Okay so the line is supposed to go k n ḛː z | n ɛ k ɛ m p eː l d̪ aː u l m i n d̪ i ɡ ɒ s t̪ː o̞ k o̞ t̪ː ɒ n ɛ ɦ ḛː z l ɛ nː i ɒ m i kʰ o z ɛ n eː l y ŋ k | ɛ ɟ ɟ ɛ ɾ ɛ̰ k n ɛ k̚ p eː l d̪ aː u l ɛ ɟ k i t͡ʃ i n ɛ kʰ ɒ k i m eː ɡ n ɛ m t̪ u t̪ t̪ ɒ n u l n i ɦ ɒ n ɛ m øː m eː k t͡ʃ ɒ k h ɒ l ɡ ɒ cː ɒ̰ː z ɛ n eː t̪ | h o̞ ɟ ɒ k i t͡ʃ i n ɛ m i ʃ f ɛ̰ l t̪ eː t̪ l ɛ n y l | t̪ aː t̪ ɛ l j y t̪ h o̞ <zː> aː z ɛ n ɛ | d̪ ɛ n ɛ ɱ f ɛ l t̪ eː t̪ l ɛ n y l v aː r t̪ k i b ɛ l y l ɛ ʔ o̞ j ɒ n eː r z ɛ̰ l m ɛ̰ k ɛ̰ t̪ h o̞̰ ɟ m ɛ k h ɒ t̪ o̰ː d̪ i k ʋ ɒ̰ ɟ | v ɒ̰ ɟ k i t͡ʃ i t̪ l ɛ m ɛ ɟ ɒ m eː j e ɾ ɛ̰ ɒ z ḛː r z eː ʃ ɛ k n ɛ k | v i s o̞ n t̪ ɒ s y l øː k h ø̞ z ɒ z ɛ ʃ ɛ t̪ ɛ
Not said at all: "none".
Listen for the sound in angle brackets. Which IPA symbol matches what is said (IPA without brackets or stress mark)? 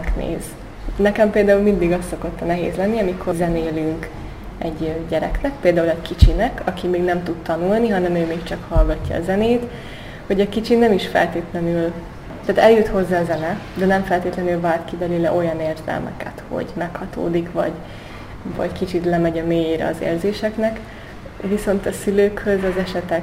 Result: zː